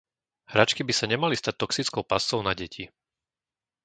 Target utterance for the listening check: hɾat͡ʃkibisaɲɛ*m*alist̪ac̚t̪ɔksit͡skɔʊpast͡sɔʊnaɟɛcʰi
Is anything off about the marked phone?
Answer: no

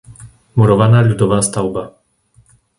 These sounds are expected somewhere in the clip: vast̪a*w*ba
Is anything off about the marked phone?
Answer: no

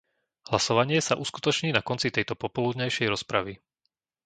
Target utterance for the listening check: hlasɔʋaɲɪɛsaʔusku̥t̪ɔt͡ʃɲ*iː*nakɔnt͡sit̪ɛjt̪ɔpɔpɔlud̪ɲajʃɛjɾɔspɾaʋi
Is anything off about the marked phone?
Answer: no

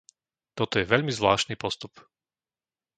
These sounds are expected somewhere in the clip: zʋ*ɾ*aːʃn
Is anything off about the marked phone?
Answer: yes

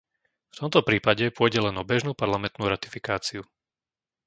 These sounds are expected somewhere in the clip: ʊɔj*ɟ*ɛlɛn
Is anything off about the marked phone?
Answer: no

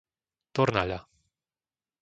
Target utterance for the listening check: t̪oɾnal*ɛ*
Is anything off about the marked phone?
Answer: yes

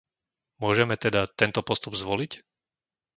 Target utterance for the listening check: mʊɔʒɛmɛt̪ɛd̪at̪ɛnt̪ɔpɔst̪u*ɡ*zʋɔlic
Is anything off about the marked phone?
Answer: yes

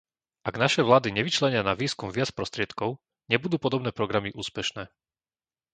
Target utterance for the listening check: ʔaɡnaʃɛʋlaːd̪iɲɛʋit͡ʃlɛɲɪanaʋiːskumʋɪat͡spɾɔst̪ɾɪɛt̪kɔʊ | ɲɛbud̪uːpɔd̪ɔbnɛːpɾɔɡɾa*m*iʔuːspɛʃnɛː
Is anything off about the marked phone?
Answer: no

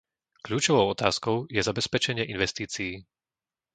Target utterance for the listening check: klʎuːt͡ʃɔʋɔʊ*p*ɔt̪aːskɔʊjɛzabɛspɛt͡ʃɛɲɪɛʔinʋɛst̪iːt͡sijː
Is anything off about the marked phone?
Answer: yes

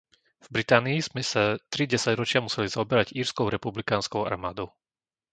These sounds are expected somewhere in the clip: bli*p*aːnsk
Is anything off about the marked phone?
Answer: yes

